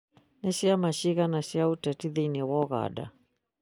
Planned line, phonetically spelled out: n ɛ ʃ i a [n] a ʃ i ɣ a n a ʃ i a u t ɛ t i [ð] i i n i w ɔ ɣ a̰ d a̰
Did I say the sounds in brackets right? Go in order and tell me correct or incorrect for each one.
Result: incorrect: m, correct

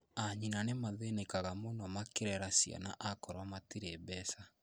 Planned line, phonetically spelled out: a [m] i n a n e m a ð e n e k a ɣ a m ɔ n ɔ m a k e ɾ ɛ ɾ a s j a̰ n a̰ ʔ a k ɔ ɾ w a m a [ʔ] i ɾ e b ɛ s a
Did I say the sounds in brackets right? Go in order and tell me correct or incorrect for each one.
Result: incorrect: ɲ, incorrect: t

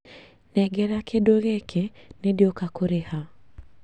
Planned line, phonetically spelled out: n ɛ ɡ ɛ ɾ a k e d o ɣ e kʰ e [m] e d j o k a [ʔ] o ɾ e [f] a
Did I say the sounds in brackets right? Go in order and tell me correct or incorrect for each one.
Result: incorrect: n, incorrect: k, incorrect: h

